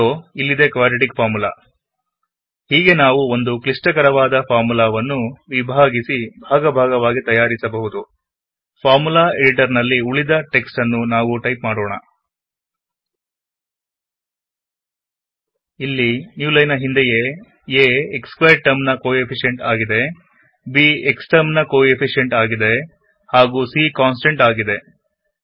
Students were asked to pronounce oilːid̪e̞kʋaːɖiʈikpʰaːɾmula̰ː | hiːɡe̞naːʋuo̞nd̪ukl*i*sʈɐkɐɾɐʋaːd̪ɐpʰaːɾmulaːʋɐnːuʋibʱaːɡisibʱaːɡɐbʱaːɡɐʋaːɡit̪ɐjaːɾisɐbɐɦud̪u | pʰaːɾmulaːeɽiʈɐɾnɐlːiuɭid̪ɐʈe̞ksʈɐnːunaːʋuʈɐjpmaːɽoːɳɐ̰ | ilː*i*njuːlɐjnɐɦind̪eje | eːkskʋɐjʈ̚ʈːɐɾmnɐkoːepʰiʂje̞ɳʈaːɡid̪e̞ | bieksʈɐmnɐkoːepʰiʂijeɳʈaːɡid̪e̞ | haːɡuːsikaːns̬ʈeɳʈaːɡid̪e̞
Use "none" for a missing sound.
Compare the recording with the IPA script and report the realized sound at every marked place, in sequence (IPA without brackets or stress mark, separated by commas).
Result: i, i